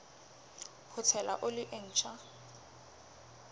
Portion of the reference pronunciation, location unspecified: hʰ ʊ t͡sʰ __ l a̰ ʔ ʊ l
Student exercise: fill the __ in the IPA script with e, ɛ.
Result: ɛ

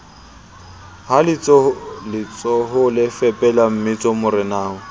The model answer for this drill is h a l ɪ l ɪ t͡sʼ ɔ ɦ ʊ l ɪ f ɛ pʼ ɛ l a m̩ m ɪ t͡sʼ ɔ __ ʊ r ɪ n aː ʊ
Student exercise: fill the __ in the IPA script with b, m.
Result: m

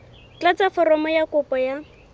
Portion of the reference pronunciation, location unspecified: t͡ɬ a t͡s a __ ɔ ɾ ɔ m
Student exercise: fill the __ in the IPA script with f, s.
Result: f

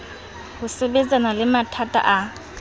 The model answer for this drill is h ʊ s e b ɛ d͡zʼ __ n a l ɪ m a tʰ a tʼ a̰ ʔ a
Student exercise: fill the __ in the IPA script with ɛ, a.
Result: a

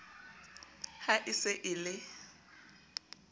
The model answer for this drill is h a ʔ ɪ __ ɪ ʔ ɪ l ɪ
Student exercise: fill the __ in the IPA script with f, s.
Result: s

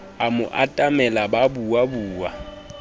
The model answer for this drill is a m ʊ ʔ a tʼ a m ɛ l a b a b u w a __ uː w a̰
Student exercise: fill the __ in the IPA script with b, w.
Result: b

